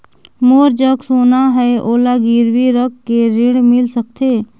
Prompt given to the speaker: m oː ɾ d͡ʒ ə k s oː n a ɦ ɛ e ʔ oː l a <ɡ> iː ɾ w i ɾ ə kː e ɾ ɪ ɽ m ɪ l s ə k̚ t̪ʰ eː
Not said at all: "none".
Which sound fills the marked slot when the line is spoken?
ɡ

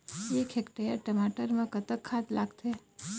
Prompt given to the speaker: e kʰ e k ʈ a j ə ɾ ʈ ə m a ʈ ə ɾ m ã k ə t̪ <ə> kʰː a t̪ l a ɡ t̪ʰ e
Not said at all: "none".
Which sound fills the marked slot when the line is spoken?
ə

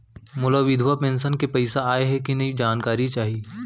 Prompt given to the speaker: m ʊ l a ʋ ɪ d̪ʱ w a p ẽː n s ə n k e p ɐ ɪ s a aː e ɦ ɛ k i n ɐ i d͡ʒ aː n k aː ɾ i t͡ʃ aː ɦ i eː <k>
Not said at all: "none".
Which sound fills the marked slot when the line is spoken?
none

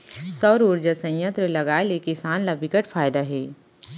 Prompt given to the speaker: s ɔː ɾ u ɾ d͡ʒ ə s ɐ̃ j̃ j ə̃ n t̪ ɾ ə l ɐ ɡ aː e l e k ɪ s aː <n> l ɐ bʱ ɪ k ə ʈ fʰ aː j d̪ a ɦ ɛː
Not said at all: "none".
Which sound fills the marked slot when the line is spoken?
n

